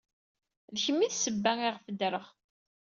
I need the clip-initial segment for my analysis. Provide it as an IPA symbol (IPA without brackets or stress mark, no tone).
ð